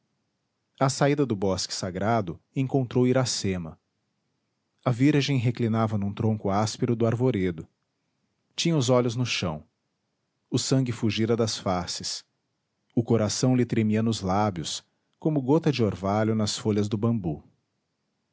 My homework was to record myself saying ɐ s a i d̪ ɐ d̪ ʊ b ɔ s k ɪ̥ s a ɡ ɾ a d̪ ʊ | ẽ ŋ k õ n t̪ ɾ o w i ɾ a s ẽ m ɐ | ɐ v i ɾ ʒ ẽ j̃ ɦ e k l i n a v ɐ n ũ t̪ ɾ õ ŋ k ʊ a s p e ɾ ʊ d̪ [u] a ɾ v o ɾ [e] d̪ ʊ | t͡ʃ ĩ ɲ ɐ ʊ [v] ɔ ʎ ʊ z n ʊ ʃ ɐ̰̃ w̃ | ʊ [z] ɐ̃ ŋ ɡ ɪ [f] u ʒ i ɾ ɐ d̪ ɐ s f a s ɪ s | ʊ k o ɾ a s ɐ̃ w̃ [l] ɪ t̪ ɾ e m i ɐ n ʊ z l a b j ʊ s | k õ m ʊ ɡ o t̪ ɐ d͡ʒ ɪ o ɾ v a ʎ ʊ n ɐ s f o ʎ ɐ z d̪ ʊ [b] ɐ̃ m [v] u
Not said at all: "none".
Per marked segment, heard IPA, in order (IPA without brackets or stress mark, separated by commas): ʊ, e, z, s, f, l, b, b